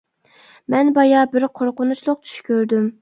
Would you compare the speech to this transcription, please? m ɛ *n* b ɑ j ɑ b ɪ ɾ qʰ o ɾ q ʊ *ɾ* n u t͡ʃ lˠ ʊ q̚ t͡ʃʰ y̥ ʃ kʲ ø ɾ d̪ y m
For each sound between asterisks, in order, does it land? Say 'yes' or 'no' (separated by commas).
yes, no